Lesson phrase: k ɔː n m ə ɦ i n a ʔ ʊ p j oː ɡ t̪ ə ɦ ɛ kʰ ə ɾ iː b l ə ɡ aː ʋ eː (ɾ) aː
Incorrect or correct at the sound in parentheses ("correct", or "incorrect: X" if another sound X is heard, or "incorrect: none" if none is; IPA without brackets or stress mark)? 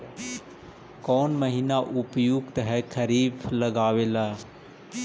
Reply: incorrect: l